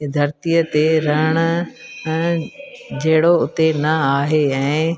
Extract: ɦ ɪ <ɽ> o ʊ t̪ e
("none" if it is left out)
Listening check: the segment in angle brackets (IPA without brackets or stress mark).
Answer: ɽ